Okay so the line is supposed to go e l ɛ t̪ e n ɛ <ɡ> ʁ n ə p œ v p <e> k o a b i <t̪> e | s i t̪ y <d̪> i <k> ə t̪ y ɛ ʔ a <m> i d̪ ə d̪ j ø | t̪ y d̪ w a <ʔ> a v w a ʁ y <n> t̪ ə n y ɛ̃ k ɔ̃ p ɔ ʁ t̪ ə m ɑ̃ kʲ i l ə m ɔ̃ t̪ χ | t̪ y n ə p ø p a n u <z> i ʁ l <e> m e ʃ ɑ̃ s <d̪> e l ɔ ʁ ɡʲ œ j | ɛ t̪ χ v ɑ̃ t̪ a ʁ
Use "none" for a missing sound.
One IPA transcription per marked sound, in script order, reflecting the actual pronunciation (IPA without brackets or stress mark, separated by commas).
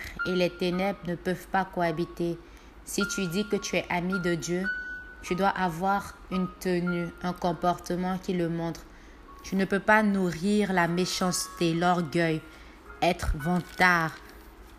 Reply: b, a, t̪, d̪, k, m, ʔ, n, ʁ, a, t̪